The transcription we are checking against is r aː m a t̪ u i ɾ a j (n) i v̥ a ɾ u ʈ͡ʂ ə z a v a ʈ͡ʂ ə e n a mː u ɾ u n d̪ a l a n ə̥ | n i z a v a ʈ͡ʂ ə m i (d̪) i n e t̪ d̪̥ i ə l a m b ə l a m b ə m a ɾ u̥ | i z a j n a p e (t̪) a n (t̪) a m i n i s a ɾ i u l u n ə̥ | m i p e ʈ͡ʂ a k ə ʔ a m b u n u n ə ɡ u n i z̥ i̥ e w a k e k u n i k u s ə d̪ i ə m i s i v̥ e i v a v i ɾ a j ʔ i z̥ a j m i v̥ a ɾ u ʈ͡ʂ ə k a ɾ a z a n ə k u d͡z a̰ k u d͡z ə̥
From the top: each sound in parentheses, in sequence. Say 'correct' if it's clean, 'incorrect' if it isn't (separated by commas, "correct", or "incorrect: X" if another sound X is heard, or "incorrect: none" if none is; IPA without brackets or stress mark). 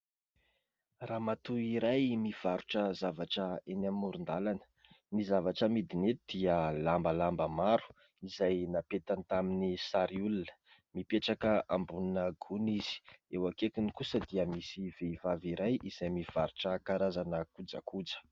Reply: incorrect: m, correct, correct, correct